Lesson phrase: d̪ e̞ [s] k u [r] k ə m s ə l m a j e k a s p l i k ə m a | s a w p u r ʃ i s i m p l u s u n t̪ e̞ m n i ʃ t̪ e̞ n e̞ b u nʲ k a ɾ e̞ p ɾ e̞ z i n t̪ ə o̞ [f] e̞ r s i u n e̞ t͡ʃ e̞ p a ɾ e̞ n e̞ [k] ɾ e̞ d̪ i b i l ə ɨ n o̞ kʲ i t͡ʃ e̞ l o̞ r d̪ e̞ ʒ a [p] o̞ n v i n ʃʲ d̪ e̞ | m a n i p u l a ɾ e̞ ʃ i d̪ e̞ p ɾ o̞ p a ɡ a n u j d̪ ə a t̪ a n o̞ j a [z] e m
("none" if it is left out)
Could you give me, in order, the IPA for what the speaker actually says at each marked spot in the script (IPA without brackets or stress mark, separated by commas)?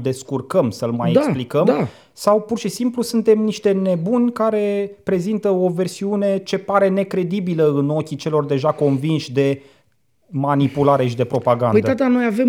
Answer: s, r, v, k, k, v